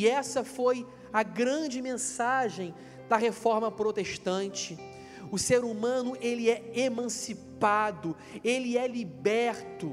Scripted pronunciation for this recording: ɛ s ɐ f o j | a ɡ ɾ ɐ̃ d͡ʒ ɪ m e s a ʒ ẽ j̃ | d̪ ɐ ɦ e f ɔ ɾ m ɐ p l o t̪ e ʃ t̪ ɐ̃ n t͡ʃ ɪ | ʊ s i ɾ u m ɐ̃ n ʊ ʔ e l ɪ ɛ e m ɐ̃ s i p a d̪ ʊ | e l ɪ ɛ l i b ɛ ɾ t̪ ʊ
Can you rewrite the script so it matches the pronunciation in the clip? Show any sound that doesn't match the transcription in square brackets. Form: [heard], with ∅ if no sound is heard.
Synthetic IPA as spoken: ɛ s ɐ f o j | [ɐ] ɡ ɾ ɐ̃ d͡ʒ ɪ m [ẽ] s a ʒ ẽ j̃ | d̪ ɐ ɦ e f ɔ ɾ m ɐ p [ɾ] o t̪ e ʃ t̪ ɐ̃ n t͡ʃ ɪ | ʊ s [e] ɾ u m ɐ̃ n ʊ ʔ e l ɪ ɛ e m ɐ̃ s i p a d̪ ʊ | e l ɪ ɛ l i b ɛ ɾ t̪ ʊ